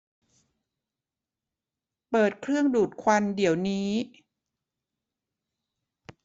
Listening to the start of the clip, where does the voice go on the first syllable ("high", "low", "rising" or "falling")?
low